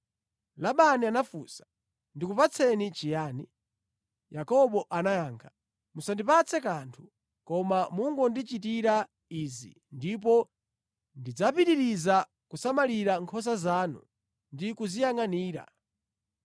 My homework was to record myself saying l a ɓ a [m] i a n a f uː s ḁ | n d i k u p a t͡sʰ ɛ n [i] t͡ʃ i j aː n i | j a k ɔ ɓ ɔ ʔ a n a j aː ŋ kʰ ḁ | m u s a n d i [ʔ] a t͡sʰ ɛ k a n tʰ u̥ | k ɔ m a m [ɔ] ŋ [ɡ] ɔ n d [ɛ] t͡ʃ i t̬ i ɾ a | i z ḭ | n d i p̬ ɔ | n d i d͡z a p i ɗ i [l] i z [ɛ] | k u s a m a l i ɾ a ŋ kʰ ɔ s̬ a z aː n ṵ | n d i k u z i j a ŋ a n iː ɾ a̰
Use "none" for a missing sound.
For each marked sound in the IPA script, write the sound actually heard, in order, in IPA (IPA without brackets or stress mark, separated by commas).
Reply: n, i, p, u, ɡ, i, ɾ, a